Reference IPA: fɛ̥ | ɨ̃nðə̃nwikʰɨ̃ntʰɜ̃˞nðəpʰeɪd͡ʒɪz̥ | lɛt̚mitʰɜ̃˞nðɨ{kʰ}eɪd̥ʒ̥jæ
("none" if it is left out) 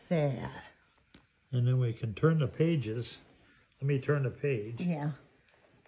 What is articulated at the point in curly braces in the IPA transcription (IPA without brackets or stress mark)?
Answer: pʰ